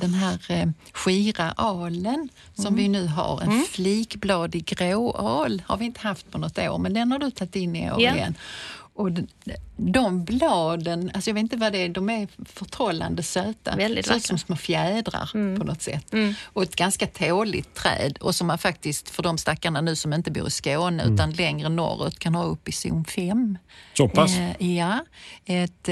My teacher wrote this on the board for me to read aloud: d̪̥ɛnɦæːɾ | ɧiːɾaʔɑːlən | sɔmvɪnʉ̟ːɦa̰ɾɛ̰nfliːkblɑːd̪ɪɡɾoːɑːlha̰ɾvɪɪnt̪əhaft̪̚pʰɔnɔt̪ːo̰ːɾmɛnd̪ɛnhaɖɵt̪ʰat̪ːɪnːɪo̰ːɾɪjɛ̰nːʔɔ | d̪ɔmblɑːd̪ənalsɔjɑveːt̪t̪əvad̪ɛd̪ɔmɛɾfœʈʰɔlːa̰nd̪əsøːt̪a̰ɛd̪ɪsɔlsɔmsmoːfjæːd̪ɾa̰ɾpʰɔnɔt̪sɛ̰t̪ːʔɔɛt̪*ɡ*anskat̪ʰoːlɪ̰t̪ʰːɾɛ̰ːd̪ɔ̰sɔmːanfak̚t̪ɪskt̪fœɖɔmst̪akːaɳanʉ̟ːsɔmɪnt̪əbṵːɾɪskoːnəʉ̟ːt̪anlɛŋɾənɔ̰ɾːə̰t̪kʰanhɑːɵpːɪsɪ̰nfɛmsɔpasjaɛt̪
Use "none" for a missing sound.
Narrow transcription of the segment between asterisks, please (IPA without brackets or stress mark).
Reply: ɡ